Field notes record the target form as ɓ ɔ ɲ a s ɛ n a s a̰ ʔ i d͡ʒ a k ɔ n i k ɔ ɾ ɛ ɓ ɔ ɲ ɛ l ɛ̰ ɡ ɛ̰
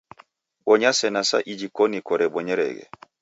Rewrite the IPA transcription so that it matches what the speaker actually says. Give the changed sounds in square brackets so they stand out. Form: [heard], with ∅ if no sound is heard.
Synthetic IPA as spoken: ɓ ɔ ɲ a s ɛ n a s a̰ ʔ i d͡ʒ [i] k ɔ n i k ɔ ɾ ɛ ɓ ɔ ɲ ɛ [ɾ] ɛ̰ ɡ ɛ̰